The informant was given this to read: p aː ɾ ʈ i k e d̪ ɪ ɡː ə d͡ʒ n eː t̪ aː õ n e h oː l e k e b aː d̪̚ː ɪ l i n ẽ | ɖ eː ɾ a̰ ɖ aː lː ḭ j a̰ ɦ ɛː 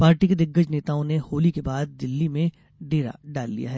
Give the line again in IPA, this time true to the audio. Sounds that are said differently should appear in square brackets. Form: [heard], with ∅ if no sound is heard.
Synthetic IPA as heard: p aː ɾ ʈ i k e d̪ ɪ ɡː ə d͡ʒ n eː t̪ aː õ n e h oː l [i] k e b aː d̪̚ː ɪ [lː] i [m] ẽ | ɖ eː ɾ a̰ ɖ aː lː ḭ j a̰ ɦ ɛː